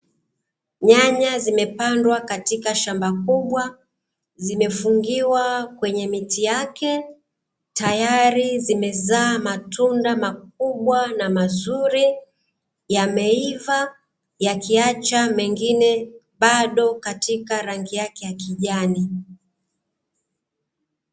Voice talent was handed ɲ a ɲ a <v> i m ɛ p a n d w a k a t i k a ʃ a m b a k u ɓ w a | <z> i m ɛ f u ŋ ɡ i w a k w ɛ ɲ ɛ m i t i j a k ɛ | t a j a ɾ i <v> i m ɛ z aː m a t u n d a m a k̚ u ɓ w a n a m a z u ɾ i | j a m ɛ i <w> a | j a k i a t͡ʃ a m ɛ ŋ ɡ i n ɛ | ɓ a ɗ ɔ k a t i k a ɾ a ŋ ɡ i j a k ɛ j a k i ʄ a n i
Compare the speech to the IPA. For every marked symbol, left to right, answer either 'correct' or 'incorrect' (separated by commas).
incorrect, correct, incorrect, incorrect